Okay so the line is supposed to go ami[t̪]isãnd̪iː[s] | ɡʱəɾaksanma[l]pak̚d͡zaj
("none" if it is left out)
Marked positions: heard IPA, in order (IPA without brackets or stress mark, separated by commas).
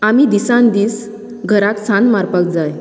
d̪, s, ɾ